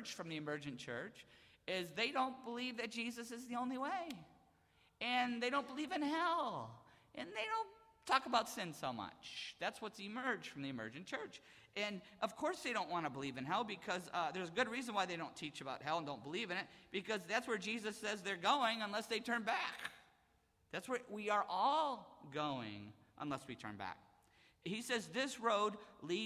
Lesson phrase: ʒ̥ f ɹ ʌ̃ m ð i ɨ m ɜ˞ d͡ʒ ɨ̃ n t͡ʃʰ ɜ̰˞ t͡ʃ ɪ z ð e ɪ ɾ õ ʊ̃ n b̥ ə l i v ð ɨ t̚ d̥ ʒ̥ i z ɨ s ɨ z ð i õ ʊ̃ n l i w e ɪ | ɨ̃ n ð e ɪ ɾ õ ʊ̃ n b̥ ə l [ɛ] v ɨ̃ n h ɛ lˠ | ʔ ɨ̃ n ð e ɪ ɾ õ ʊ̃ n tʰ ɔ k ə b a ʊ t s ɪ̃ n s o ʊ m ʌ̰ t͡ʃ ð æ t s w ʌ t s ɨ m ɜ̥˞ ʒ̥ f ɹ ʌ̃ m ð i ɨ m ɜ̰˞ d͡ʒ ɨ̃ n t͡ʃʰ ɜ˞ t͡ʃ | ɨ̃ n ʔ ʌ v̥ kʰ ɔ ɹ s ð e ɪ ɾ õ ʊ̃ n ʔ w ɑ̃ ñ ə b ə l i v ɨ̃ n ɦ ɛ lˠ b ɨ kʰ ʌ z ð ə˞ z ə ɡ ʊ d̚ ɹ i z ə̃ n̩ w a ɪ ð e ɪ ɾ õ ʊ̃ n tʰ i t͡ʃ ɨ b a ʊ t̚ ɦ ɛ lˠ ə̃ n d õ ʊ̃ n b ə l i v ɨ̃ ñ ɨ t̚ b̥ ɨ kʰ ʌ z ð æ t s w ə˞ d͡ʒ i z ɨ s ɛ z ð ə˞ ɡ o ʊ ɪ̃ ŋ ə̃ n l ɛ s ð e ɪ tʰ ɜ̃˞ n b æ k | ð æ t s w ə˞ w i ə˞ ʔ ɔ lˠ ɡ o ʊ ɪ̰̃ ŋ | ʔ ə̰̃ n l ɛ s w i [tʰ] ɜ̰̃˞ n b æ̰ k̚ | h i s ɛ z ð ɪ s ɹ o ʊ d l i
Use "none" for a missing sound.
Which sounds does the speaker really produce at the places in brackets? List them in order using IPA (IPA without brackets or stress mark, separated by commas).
i, tʰ